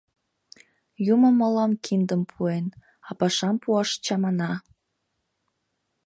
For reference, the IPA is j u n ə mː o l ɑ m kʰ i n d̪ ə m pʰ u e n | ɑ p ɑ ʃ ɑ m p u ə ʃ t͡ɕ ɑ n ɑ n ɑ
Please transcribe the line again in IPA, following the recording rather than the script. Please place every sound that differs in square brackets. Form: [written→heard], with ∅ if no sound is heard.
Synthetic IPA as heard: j u [n→m] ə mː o l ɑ m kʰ i n d̪ ə m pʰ u e n | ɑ p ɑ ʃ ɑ m p u [ə→ɑ] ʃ t͡ɕ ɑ [n→m] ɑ n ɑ